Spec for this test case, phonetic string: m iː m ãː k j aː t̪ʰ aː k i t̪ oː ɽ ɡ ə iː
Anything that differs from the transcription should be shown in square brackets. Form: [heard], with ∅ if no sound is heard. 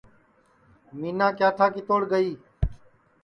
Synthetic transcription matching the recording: m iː [n] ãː k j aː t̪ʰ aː k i t̪ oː ɽ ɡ ə iː